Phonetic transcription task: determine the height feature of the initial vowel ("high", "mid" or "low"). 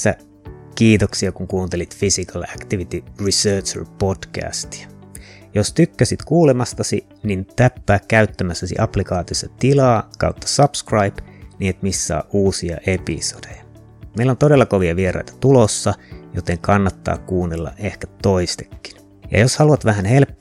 low